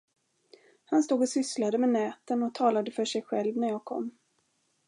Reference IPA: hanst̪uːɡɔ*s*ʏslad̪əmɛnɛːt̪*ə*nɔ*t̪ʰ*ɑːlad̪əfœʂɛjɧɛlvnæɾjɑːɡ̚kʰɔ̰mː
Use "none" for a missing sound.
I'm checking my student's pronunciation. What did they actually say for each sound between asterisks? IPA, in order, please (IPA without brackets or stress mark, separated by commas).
s, ə, t̪ʰ